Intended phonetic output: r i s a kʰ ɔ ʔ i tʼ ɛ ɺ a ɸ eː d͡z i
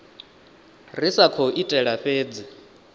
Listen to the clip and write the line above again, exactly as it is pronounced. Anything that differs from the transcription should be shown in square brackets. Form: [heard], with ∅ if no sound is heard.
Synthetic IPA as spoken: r i s a kʰ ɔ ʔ i tʼ ɛ ɺ a ɸ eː d͡z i